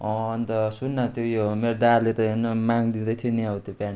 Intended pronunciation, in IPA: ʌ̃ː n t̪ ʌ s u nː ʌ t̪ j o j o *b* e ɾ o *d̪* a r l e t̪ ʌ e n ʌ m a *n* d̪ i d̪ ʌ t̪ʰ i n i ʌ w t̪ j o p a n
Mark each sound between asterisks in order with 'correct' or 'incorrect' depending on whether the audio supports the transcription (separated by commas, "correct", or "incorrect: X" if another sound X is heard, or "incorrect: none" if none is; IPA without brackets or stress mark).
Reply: incorrect: m, correct, incorrect: ŋ